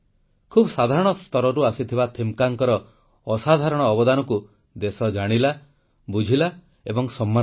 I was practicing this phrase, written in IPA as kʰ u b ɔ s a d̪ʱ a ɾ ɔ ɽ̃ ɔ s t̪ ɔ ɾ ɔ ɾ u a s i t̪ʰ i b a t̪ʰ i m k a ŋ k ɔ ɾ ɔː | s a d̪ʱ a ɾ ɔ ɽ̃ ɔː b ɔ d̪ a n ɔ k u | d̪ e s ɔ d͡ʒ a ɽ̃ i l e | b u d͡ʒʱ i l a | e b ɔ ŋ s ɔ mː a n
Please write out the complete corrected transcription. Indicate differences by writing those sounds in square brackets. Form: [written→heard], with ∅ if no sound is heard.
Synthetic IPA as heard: kʰ u b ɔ s a d̪ʱ a ɾ ɔ ɽ̃ ɔ s t̪ ɔ ɾ ɔ ɾ u a s i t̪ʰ i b a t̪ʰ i m k a ŋ k ɔ ɾ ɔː | s a d̪ʱ a ɾ ɔ ɽ̃ ɔː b ɔ d̪ a n ɔ k u | d̪ e s ɔ d͡ʒ a ɽ̃ i l [e→a] | b u d͡ʒʱ i l a | e b ɔ ŋ s ɔ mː a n